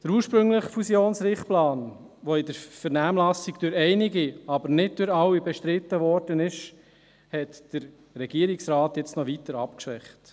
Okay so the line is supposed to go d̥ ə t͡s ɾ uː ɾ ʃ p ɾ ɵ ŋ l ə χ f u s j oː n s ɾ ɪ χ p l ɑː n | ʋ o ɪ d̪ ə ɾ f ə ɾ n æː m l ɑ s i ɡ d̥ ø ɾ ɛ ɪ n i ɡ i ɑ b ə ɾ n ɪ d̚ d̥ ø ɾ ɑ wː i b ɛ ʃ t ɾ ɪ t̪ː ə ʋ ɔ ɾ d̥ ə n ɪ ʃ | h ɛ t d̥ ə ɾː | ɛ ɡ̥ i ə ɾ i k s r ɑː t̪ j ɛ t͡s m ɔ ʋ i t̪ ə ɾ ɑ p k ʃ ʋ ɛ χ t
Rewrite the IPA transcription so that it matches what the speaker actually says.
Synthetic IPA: d̥ ə ɾ uː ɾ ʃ p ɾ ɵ ŋ l ə χ f u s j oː n s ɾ ɪ χ p l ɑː n | ʋ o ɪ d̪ ə ɾ f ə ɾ n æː m l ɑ s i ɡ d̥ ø ɾ ɛ ɪ n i ɡ i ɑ b ə ɾ n ɪ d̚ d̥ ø ɾ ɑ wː i b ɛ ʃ t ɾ ɪ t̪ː ə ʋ ɔ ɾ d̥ ə n ɪ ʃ | h ɛ t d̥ ə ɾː | ɛ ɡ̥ i ə ɾ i k s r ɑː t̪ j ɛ t͡s n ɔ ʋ i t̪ ə ɾ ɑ p k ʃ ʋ ɛ χ t